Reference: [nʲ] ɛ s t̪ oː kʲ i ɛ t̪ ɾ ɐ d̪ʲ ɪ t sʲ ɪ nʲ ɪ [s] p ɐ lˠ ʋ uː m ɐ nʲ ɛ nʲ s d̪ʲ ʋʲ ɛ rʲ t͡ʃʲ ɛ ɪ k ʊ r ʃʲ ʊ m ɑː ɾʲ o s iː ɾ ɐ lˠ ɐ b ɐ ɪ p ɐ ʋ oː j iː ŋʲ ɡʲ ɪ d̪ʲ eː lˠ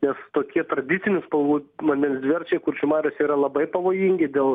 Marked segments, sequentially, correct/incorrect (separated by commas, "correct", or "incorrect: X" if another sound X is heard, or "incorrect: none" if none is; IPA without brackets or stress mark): correct, correct